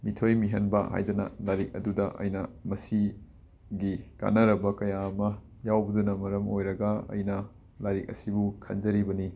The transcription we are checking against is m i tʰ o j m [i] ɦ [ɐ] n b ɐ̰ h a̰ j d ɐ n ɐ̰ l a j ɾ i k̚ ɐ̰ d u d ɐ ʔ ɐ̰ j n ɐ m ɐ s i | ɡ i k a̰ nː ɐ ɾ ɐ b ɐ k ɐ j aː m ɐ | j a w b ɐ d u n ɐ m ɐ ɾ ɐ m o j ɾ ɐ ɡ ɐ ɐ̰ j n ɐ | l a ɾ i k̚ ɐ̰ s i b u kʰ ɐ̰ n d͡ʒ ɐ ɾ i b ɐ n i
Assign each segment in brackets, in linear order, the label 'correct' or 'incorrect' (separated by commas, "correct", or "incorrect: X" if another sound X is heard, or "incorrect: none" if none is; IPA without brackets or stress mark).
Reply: correct, correct